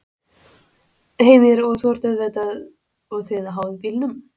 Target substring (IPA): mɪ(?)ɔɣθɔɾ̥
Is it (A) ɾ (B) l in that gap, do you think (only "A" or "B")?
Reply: A